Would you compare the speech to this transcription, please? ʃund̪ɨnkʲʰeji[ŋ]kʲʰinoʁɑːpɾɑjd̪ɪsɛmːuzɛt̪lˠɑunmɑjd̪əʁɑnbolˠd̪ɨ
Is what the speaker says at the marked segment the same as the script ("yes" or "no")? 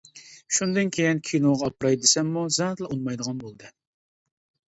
no